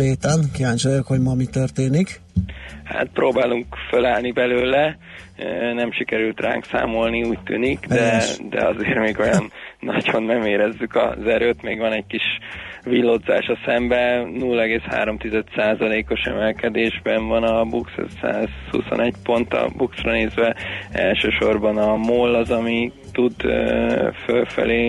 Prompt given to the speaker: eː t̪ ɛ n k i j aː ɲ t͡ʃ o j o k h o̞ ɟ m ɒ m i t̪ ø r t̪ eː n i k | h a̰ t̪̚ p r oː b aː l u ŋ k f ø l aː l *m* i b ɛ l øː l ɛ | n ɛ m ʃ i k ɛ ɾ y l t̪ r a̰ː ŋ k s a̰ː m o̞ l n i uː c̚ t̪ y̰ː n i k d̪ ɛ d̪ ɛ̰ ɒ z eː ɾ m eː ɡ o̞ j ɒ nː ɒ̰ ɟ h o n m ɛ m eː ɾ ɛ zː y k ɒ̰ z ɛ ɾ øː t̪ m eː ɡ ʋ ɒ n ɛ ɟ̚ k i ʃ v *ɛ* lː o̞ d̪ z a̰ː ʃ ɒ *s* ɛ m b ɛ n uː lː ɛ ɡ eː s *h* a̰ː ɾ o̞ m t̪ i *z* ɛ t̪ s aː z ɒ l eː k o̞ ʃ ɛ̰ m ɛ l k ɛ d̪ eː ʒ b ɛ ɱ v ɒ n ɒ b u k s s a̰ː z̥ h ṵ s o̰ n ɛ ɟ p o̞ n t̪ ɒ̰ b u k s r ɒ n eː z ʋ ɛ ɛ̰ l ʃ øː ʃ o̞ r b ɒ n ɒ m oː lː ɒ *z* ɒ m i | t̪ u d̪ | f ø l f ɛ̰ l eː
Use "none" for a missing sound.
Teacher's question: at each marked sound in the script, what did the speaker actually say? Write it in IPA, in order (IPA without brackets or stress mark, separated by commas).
n, i, s, h, z, z